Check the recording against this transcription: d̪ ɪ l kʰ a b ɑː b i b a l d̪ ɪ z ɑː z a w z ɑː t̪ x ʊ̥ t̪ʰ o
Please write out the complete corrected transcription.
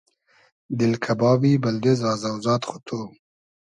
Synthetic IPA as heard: d̪ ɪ l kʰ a b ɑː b i b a l d̪ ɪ z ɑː z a w z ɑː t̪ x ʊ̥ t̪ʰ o